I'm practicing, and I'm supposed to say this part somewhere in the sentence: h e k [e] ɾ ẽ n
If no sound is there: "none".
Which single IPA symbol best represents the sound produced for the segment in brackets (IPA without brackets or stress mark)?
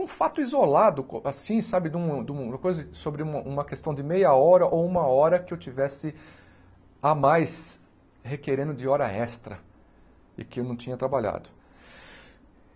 e